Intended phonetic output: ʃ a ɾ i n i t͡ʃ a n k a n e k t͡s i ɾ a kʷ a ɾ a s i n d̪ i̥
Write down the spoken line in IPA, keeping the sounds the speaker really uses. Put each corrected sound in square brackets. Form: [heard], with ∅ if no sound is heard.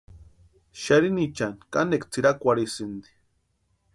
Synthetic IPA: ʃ a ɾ i n i t͡ʃ a n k a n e k t͡s i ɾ a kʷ a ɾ [i] s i n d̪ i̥